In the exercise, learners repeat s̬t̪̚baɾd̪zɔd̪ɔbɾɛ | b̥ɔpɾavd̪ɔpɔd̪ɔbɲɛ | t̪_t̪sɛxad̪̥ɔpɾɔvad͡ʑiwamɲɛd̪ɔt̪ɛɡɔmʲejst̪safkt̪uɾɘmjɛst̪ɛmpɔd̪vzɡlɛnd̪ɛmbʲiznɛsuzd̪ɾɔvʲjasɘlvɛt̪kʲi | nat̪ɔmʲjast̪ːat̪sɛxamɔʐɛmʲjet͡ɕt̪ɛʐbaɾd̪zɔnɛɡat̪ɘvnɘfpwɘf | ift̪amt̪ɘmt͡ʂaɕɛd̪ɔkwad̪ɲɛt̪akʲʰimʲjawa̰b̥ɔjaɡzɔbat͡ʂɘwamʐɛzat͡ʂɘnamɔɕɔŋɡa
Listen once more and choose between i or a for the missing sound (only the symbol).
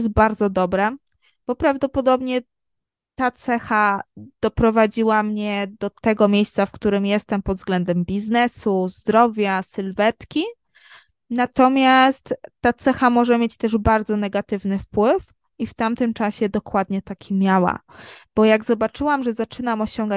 a